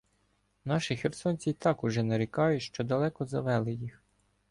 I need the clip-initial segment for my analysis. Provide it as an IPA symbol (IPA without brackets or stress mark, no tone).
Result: n